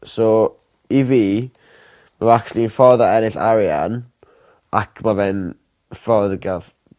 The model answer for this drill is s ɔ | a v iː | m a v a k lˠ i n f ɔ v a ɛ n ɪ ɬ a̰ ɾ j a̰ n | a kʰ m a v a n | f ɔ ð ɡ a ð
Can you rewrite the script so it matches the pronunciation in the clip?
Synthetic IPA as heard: s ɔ | i v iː | m a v a k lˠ i n f ɔ ð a ɛ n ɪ ɬ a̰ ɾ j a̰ n | a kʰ m a v ɛ n | f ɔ ð ɡ a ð